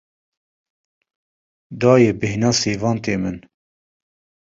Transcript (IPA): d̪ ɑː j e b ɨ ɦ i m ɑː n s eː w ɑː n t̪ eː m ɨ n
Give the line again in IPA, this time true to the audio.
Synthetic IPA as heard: d̪ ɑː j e b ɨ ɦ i n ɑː s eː v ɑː n t̪ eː m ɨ n